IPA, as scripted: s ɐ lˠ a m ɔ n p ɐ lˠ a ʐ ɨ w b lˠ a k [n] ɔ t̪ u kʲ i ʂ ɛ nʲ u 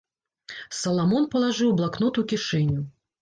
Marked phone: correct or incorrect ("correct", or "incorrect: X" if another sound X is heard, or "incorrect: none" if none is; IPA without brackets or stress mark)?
correct